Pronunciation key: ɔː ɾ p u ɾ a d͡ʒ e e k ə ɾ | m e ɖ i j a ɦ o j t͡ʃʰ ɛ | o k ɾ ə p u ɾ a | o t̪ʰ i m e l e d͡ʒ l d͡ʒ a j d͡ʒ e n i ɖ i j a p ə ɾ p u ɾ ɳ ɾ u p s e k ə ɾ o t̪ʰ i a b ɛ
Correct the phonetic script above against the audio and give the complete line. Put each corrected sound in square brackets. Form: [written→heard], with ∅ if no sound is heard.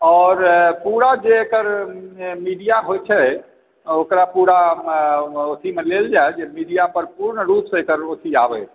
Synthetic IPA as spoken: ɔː ɾ p u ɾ a d͡ʒ e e k ə ɾ | m [e→i] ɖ i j a ɦ o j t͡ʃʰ ɛ | o k ɾ [ə→a] p u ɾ a | o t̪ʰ i m e l e [d͡ʒ→∅] l d͡ʒ a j d͡ʒ e [n→m] i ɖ i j a p ə ɾ p u ɾ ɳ ɾ u p s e k ə ɾ o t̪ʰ i a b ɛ